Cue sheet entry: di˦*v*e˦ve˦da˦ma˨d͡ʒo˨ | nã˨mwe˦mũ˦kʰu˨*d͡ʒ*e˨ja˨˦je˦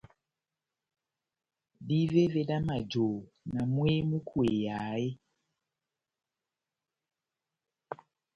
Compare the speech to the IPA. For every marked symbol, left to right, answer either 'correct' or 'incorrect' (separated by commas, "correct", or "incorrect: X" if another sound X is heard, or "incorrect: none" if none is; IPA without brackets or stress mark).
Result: correct, incorrect: none